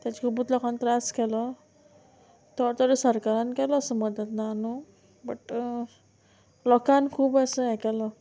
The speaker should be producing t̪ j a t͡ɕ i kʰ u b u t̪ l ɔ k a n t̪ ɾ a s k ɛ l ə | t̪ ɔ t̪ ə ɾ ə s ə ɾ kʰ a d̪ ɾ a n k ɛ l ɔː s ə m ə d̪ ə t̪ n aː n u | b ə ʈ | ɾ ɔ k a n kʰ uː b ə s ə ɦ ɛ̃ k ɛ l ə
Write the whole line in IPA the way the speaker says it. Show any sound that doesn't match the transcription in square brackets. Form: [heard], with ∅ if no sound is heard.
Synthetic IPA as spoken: t̪ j a t͡ɕ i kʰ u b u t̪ l ɔ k a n t̪ ɾ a s k ɛ l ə | t̪ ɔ t̪ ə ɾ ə s ə ɾ [k] a [∅] ɾ a n k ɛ l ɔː s ə m ə d̪ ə t̪ n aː n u | b ə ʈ | [l] ɔ k a n kʰ uː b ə s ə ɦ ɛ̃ k ɛ l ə